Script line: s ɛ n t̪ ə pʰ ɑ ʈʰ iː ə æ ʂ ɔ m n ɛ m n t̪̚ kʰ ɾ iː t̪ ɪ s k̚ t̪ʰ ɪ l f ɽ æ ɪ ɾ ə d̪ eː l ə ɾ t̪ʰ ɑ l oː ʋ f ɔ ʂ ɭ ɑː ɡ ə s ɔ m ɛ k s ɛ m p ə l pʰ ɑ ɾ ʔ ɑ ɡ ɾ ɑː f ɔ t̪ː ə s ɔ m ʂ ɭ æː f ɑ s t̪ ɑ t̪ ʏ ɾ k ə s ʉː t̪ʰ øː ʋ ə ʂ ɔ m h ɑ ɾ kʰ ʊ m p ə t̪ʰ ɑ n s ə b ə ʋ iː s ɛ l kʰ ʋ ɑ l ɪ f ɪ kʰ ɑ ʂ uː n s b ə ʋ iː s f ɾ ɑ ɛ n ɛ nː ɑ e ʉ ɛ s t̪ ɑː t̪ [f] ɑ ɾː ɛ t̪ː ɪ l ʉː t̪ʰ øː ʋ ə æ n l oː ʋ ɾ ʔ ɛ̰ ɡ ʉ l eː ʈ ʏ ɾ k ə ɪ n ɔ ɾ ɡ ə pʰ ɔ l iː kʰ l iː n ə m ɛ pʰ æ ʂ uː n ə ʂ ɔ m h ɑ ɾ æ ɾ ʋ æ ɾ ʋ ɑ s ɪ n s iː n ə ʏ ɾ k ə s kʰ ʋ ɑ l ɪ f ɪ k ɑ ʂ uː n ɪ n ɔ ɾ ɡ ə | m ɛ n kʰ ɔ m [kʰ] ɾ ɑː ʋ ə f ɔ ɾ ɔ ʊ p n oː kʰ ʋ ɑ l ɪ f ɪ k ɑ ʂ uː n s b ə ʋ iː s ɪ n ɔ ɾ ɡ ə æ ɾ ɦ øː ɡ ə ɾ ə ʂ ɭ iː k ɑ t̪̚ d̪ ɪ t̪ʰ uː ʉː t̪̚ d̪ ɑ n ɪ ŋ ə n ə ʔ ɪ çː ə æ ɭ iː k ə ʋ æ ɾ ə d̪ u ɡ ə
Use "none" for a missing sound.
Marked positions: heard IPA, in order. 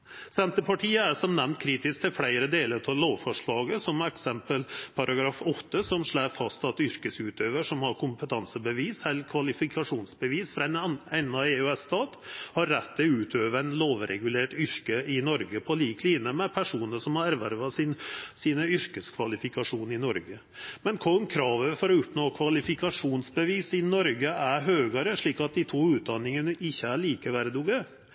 h, kʰ

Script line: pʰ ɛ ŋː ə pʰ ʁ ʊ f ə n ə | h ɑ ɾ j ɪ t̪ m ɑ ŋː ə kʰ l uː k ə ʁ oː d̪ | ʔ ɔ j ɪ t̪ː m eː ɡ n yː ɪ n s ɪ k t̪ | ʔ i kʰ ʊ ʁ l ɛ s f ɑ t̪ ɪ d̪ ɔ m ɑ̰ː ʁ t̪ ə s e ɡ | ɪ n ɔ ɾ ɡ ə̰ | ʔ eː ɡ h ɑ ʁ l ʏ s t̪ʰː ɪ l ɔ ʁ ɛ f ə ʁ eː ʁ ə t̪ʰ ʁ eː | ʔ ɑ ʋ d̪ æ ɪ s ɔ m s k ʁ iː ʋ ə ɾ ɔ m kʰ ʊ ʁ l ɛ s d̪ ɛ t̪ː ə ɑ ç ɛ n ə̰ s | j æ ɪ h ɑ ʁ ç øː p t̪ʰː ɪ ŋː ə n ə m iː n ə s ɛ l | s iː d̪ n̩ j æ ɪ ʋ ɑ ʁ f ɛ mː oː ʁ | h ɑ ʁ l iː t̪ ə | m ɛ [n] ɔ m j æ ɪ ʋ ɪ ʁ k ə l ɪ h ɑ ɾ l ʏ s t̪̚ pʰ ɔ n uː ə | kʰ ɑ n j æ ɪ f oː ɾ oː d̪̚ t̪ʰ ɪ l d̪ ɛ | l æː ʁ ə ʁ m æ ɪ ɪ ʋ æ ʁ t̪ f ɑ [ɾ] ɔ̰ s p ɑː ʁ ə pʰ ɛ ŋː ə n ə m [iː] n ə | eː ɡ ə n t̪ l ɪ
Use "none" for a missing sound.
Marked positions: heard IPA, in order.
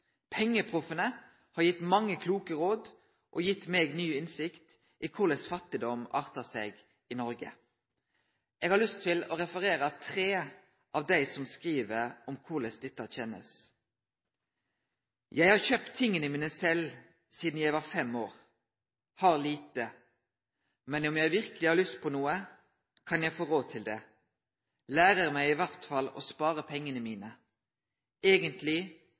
n, l, iː

